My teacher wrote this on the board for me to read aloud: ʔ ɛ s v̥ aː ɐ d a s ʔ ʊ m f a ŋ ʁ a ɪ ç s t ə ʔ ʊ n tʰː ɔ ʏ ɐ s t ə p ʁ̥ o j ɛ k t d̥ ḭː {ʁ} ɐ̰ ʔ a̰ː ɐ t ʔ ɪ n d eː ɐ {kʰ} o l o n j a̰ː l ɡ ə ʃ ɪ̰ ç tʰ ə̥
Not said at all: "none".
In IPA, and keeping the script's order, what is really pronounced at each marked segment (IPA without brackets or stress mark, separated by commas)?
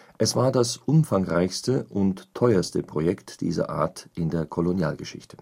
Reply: z, kʰ